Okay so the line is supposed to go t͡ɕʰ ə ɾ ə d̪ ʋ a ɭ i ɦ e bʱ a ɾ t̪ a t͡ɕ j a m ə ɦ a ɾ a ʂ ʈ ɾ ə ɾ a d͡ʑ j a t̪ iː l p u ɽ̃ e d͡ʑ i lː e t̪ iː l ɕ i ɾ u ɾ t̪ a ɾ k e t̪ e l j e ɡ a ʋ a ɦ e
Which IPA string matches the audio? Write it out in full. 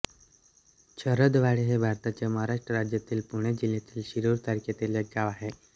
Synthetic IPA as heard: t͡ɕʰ ə ɾ ə d̪ ʋ a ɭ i ɦ e bʱ a ɾ t̪ a t͡ɕ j a m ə ɦ a ɾ a ʂ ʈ ɾ ə ɾ a d͡ʑ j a t̪ iː l p u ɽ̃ e d͡ʑ i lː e t̪ iː l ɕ i ɾ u ɾ t̪ a ɾ k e t̪ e l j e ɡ a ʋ a ɦ e